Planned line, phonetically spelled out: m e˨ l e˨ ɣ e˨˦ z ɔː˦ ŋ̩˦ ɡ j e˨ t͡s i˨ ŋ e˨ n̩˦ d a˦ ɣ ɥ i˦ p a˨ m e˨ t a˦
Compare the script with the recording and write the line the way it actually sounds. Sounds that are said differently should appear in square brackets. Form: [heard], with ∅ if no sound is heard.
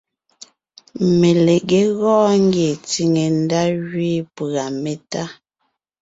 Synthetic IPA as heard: m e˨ l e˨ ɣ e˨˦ [ɣ] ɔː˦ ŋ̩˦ ɡ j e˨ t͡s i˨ ŋ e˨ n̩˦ d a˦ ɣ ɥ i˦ p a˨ m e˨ t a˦

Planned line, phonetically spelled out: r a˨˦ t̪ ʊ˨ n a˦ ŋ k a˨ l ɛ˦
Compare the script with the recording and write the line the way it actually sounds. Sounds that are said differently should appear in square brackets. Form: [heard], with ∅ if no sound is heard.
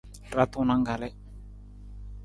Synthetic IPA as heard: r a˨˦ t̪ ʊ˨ n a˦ ŋ [ɡ] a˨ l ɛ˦

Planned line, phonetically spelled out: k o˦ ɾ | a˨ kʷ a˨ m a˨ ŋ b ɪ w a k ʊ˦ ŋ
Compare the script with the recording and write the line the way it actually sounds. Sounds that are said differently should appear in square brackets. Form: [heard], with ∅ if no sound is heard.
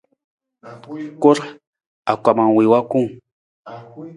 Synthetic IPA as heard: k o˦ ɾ | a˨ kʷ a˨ m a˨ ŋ [w] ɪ w a k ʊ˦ ŋ

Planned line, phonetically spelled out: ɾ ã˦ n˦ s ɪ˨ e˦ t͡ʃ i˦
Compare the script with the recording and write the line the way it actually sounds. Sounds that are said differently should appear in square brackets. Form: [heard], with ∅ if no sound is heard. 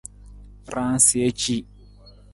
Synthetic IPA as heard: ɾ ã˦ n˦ s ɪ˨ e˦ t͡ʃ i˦

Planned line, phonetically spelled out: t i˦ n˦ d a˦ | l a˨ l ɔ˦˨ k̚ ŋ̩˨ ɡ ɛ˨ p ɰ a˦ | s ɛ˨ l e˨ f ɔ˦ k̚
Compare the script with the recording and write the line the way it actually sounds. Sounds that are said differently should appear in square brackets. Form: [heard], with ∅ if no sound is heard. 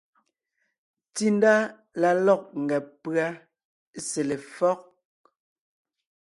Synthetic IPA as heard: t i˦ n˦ d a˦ | l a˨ l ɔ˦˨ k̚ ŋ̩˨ ɡ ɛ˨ p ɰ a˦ | s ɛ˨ l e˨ f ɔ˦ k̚

